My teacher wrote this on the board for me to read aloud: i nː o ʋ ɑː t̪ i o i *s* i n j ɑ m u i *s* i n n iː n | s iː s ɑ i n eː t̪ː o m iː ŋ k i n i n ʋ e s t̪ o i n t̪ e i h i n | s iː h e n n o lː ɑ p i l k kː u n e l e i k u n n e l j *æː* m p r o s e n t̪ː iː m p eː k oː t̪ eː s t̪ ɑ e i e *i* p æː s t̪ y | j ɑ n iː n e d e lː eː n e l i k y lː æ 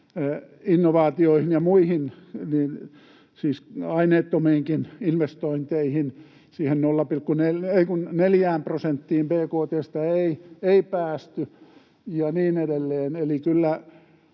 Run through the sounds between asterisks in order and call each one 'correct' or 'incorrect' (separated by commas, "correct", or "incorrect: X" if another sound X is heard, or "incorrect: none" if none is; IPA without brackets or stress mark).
incorrect: h, incorrect: h, correct, correct